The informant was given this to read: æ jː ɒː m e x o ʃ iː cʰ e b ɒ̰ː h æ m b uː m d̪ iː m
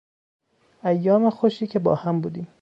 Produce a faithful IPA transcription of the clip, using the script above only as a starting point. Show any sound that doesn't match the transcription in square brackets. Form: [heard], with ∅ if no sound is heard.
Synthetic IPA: æ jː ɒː m e x o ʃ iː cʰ e b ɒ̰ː h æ m b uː [∅] d̪ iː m